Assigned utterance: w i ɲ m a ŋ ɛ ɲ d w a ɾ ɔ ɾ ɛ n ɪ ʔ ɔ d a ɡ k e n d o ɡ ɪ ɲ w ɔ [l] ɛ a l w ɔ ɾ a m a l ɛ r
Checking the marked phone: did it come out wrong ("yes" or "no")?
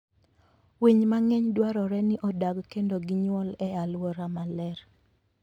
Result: no